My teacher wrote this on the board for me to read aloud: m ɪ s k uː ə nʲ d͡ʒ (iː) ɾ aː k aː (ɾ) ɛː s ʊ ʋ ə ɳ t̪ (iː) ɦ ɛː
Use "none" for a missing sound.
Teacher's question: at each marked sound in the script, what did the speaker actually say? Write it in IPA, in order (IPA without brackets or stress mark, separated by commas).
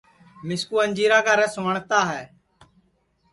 iː, ɾ, aː